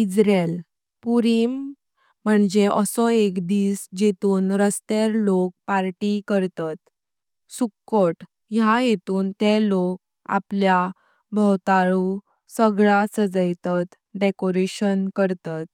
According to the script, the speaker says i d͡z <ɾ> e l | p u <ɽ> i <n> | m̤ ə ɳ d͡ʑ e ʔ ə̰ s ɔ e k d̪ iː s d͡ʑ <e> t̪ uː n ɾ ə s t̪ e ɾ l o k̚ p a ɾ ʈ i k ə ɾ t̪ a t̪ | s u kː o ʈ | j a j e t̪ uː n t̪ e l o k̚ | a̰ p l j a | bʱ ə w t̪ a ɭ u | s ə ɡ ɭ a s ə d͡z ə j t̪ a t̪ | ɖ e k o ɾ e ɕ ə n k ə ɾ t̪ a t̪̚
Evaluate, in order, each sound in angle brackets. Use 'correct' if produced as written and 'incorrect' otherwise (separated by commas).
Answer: correct, incorrect, incorrect, correct